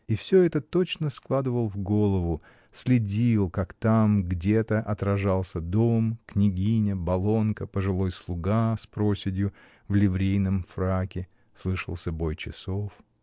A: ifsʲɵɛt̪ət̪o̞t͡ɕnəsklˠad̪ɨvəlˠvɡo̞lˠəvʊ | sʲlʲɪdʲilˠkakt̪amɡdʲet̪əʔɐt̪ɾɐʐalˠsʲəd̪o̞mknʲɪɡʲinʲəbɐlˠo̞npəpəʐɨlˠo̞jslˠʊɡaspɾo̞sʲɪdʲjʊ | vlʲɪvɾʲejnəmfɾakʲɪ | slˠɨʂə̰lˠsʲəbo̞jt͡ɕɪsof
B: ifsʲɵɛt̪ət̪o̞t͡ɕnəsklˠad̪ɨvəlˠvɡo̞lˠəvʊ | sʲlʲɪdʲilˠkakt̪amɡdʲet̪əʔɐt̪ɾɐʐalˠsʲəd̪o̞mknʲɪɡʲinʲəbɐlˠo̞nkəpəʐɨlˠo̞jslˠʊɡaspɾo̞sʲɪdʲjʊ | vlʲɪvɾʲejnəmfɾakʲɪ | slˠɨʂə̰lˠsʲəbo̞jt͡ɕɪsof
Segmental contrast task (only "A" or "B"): B